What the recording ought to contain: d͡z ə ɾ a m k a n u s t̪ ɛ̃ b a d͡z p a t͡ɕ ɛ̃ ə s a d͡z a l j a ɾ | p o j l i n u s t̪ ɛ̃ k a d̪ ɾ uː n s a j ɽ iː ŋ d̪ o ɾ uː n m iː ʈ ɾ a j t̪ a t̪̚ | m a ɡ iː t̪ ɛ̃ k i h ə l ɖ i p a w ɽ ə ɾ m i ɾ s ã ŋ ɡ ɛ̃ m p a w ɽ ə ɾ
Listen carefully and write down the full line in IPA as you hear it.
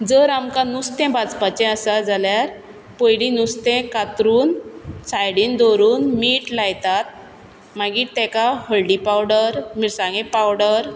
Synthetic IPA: d͡z ə ɾ a m k a n u s t̪ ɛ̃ b a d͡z p a t͡ɕ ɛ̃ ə s a d͡z a l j a ɾ | p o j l i n u s t̪ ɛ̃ k a t̪ ɾ uː n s a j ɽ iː n d̪ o ɾ uː n m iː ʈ l a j t̪ a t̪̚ | m a ɡ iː t̪ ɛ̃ k a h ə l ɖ i p a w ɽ ə ɾ m i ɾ s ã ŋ ɡ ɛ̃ p a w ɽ ə ɾ

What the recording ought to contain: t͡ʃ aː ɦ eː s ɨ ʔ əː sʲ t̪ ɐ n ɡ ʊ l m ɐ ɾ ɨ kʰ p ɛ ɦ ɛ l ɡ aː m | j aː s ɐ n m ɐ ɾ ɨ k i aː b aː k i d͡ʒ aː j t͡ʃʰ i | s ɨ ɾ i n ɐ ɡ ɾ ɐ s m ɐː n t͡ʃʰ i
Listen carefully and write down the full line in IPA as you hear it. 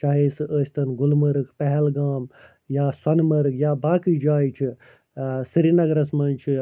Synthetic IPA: t͡ʃ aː ɦ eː s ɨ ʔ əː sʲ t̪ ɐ n ɡ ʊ l m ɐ ɾ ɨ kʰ p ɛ ɦ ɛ l ɡ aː m | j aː s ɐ n m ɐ ɾ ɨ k j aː b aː k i d͡ʒ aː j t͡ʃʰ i | s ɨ ɾ i n ɐ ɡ ɾ ɐ s m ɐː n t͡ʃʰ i

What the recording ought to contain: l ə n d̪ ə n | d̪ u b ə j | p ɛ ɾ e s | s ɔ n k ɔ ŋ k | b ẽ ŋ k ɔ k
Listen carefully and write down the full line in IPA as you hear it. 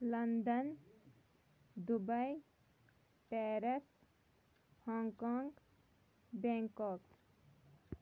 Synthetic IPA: l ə n d̪ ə n | d̪ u b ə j | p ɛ ɾ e s | h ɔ ŋ k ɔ ŋ ɡ | b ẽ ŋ k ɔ k

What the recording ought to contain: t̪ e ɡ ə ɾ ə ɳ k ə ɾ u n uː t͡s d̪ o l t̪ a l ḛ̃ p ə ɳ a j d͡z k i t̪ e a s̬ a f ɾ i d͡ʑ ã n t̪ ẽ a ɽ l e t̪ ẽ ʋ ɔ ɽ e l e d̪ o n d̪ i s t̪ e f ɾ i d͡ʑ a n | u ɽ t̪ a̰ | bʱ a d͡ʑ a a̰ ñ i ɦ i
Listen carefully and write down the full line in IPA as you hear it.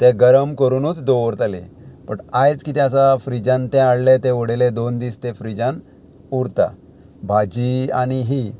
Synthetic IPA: t̪ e ɡ ə ɾ ə m k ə ɾ u n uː t͡s d̪ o ɾ t̪ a l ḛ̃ p ə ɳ a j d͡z k i t̪ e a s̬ a f ɾ i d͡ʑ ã n t̪ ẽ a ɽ l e t̪ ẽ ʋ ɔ ɽ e l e d̪ o n d̪ i s t̪ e f ɾ i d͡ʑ a n | u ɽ t̪ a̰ | bʱ a d͡ʑ i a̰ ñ i ɦ i

